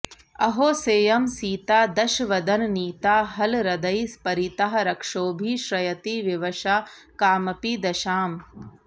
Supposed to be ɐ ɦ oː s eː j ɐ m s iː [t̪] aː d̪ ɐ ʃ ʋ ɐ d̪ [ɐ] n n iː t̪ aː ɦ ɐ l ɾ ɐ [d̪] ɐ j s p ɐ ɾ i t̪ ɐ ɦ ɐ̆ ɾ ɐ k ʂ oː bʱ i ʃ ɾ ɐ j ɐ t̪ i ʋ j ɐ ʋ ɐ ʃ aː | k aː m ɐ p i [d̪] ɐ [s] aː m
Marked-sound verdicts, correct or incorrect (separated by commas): correct, correct, correct, correct, incorrect